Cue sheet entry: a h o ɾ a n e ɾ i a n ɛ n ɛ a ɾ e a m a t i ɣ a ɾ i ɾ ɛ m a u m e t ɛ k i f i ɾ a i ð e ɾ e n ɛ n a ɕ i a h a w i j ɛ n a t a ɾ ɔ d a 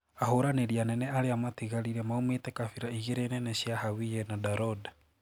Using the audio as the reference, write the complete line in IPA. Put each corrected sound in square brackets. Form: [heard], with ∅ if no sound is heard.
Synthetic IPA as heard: a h o ɾ a n e ɾ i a n ɛ n ɛ a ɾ e a m a t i ɣ a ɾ i ɾ ɛ m a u m e t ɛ k [a] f i ɾ a i [ɣ] e ɾ e n ɛ n [ɛ] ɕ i a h a w i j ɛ n a [d] a ɾ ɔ d a